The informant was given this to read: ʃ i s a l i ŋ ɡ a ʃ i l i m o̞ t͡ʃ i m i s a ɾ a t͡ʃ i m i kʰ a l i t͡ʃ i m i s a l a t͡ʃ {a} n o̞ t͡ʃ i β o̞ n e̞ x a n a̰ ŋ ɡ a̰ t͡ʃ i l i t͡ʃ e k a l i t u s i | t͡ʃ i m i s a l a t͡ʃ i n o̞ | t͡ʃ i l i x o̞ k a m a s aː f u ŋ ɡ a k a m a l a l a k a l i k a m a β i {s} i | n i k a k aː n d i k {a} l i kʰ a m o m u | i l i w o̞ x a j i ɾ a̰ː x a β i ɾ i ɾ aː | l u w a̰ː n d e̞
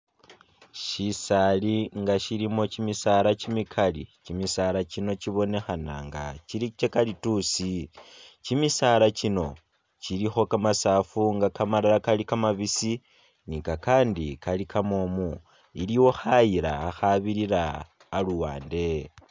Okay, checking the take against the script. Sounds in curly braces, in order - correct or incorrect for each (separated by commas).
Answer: incorrect, correct, correct